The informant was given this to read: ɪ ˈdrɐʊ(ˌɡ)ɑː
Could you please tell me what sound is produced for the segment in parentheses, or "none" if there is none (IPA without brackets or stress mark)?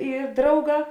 ɡ